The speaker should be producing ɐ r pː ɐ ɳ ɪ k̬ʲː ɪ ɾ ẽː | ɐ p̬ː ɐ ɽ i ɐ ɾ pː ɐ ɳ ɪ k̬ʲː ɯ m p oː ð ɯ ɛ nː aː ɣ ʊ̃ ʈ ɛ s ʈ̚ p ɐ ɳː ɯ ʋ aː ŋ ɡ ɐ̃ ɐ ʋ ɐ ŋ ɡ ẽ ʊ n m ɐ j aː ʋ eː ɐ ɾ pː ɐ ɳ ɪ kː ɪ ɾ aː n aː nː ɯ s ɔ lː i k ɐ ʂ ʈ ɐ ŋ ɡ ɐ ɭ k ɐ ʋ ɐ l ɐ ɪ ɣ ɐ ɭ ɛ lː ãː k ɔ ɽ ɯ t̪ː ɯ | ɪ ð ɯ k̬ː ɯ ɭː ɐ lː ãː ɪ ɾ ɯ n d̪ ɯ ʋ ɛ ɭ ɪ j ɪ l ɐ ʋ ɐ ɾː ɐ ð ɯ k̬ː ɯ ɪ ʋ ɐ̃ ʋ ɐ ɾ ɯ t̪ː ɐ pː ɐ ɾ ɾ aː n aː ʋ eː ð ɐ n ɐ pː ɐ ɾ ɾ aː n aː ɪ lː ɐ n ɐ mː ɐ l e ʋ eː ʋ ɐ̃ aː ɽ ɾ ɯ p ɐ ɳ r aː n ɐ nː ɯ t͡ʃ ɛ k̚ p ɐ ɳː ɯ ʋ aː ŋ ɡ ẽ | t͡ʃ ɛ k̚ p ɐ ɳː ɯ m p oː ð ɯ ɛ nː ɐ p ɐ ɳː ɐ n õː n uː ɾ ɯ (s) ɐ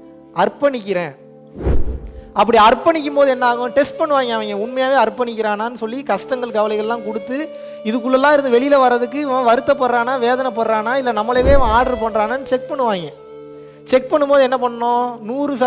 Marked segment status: correct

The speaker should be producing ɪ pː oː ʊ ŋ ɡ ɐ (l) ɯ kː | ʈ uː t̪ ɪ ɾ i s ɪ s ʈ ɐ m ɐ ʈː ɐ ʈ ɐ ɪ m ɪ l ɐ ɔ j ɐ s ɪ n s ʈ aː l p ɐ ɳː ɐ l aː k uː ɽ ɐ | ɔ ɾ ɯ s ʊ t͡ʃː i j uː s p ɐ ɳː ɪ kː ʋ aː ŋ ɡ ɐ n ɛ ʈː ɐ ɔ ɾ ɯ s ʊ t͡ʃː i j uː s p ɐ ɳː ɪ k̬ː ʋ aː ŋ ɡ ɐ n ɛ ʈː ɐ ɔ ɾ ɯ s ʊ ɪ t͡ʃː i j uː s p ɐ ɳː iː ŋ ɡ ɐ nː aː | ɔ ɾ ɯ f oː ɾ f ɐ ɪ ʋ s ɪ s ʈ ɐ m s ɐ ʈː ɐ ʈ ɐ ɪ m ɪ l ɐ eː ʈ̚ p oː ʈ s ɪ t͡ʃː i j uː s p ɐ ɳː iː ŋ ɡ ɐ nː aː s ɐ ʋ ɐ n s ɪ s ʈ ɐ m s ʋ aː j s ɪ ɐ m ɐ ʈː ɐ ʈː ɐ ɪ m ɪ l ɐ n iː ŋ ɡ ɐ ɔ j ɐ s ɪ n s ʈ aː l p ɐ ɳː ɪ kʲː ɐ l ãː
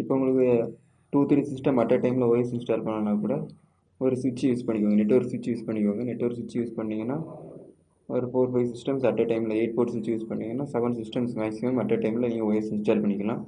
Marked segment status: incorrect: ɭ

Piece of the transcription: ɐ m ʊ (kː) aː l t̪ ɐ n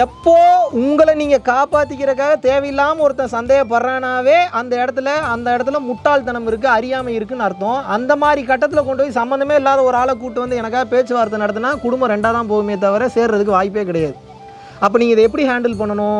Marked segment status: incorrect: ʈː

